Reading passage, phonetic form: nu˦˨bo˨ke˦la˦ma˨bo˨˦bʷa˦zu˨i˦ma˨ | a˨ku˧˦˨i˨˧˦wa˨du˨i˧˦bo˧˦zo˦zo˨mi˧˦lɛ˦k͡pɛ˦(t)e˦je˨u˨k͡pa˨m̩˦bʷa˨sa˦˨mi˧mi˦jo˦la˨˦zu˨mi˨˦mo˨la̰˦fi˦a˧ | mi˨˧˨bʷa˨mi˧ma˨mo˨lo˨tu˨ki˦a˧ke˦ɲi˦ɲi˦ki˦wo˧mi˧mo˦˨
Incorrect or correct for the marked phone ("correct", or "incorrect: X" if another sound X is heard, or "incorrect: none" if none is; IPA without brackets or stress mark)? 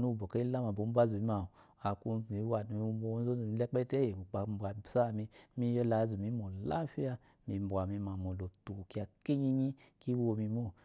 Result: correct